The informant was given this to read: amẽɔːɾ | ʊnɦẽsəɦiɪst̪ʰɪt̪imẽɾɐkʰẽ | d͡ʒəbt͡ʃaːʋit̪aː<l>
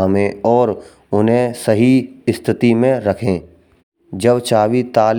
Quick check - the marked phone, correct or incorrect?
correct